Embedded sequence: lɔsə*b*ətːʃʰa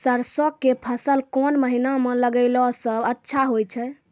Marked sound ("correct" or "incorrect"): correct